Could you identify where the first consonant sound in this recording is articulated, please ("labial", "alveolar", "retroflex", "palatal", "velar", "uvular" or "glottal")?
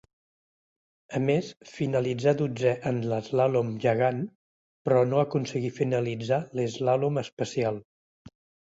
labial